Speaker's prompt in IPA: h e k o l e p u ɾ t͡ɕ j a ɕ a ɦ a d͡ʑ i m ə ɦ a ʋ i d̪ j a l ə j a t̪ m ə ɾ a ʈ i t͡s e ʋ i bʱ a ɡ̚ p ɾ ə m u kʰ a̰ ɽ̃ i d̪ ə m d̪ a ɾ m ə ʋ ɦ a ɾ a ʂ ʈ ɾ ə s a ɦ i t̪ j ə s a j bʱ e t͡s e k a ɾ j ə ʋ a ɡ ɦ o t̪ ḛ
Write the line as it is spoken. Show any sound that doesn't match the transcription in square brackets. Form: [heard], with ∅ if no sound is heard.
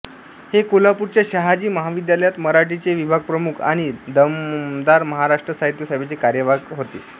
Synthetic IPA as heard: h e k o l [a] p u ɾ t͡ɕ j a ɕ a ɦ a d͡ʑ [iː] m ə ɦ a ʋ i d̪ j a l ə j a t̪ m ə ɾ a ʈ i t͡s e ʋ i bʱ a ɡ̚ p ɾ ə m u kʰ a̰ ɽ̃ i d̪ ə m d̪ a ɾ m ə [∅] ɦ a ɾ a ʂ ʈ ɾ ə s a ɦ i t̪ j ə s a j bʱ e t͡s e k a ɾ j ə ʋ a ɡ ɦ o t̪ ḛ